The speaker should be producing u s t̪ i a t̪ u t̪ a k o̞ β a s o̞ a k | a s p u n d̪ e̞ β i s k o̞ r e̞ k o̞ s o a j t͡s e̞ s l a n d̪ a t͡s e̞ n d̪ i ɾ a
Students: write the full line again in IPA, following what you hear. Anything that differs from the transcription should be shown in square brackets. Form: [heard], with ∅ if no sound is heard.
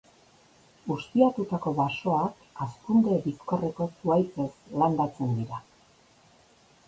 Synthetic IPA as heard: u s t̪ i a t̪ u t̪ a k o̞ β a s o̞ a k | a s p u n d̪ e̞ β i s k o̞ r e̞ k o̞ s [u] a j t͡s e̞ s l a n d̪ a t͡s e̞ n d̪ i ɾ a